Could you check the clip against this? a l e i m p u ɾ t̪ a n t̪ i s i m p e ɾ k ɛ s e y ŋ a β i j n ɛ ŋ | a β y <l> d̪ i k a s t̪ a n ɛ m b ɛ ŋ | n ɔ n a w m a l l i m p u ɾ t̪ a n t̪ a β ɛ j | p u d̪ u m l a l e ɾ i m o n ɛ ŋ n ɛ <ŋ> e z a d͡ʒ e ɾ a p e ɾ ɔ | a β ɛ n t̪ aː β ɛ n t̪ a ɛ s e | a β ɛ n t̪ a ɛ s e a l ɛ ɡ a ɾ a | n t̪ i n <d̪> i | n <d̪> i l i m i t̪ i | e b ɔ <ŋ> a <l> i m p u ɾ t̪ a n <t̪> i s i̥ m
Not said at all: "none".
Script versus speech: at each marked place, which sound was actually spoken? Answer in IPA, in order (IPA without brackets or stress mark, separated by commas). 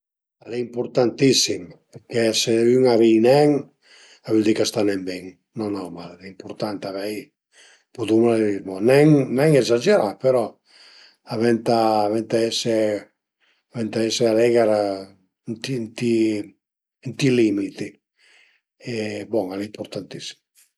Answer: l, ŋ, t̪, t̪, ŋ, l, t̪